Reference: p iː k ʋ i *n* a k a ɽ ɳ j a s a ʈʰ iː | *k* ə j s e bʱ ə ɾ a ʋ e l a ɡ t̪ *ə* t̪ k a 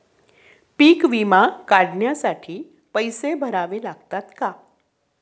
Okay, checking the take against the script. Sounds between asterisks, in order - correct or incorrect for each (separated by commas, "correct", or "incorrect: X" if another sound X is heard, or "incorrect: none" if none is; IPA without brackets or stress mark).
incorrect: m, incorrect: p, incorrect: a